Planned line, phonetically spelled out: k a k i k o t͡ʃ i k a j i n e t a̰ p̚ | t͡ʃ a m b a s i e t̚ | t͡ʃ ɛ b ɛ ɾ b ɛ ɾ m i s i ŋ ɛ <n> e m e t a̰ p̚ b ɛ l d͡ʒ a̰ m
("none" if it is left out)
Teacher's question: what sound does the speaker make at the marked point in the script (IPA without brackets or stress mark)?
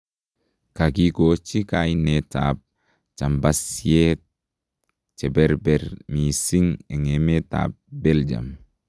ŋ